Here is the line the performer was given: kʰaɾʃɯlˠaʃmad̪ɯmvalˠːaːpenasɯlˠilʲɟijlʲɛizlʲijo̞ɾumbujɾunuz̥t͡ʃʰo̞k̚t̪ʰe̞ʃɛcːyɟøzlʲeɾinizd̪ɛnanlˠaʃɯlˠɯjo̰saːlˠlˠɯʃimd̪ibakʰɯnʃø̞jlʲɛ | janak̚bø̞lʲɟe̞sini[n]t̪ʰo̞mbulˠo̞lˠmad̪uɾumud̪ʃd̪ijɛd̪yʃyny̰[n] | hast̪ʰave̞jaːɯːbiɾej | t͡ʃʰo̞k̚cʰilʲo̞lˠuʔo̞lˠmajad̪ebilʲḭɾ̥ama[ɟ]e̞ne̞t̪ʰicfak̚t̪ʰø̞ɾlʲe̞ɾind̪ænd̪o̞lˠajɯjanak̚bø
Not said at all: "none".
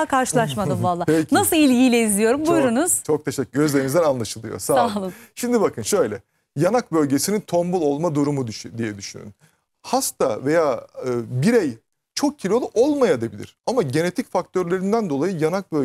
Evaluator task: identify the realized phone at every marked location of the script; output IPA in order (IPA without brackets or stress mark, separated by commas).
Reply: n, n, ɟ